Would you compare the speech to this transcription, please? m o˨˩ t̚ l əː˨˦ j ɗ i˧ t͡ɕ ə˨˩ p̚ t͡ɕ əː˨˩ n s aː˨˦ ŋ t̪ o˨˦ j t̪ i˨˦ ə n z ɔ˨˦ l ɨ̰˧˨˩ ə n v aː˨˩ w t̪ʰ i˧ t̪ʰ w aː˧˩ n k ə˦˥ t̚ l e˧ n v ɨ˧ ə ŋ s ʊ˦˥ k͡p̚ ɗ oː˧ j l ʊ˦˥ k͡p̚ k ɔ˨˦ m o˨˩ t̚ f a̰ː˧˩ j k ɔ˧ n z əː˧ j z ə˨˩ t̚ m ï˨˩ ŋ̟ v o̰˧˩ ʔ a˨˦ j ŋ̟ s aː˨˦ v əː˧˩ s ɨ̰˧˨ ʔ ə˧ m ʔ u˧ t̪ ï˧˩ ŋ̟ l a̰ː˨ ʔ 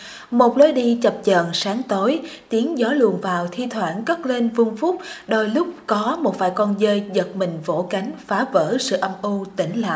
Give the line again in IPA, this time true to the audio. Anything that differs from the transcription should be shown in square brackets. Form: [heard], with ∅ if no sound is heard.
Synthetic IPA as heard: m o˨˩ t̚ l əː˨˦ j ɗ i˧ t͡ɕ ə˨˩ p̚ t͡ɕ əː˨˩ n s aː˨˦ ŋ t̪ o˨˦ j t̪ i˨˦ ə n z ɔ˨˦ l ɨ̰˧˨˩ ə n v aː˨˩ w t̪ʰ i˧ t̪ʰ w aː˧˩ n k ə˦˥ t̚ l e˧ n v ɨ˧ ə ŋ [f] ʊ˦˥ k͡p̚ ɗ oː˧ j l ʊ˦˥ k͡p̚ k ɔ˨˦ m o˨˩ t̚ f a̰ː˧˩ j k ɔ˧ n z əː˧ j z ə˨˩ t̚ m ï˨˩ ŋ̟ v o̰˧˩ [k] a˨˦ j ŋ̟ [f] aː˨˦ v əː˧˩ s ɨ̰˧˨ ʔ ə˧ m ʔ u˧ t̪ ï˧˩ ŋ̟ l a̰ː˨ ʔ